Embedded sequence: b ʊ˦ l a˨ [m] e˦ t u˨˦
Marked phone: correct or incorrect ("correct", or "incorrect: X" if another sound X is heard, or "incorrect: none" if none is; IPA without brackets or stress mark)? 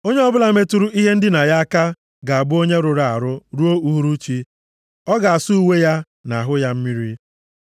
correct